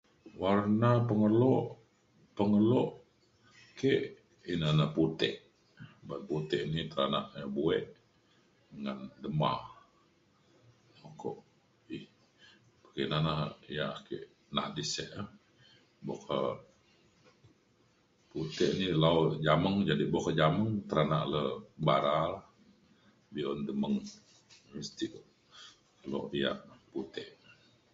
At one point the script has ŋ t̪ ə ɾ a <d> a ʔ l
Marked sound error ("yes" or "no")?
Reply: yes